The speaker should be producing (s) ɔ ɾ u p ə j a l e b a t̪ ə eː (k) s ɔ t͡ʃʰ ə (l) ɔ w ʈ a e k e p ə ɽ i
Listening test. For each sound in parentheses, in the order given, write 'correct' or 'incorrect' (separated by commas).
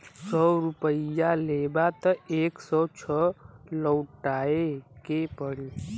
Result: correct, correct, correct